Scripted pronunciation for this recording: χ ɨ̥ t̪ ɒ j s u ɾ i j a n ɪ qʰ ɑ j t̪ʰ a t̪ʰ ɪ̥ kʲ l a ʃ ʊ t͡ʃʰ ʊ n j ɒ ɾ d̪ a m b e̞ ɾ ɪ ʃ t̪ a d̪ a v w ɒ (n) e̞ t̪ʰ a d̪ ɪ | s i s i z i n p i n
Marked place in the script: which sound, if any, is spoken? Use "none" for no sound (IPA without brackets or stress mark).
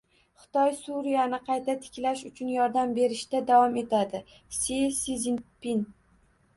m